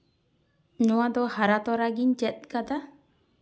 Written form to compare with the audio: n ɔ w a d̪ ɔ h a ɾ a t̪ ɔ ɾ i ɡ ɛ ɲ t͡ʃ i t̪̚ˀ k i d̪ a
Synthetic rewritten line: ɲ ɔ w a d̪ ɔ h a ɾ a t̪ ɔ ɾ a ɡ i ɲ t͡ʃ ɛ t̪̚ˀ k a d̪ a